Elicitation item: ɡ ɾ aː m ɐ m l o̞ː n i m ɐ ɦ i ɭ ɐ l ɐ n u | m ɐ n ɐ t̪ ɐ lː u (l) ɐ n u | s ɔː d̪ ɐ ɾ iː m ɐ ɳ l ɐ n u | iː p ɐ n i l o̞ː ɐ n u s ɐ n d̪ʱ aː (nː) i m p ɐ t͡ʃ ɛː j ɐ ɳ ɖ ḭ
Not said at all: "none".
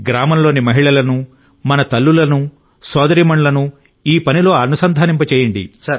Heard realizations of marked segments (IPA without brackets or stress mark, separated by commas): l, n